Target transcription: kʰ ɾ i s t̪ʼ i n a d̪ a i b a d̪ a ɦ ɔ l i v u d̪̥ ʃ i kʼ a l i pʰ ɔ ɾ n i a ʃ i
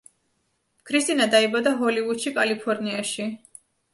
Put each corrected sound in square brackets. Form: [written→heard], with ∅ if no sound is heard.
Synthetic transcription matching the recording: kʰ ɾ i s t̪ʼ i n a d̪ a i b a d̪ a ɦ ɔ l i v u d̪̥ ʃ i kʼ a l i pʰ ɔ ɾ n i a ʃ i